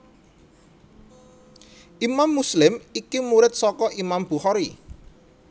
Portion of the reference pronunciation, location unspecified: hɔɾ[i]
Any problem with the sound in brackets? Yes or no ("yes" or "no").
no